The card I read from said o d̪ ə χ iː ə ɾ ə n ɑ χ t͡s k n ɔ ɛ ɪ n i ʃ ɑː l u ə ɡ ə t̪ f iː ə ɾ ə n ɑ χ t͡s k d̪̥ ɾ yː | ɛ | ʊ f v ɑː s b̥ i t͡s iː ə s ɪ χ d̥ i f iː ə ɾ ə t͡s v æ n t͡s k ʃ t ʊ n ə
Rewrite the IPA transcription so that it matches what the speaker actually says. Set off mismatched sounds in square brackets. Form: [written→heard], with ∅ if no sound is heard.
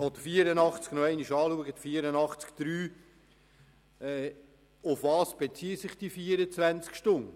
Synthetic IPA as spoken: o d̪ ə [χ→f] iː ə ɾ ə n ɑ χ t͡s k n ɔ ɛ ɪ n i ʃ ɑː l u ə ɡ ə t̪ f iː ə ɾ ə n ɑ χ t͡s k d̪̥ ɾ yː | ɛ | ʊ f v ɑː s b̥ [i→e] t͡s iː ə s ɪ χ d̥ i f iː ə ɾ ə t͡s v æ n t͡s k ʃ t ʊ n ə